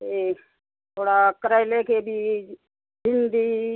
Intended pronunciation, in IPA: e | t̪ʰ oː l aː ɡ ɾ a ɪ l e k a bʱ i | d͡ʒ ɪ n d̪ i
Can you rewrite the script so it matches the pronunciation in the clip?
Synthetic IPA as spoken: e | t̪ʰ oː ɽ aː k ɾ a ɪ l e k e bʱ i | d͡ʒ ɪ n d̪ i